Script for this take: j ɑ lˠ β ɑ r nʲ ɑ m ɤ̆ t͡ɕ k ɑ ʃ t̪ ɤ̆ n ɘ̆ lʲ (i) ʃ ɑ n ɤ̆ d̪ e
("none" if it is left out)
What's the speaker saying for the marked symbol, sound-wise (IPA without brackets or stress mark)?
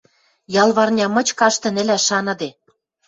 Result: æ